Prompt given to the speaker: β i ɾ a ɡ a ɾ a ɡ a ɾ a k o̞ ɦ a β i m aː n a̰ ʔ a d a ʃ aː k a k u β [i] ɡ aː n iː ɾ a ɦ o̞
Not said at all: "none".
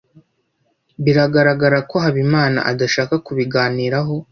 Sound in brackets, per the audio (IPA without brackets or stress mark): i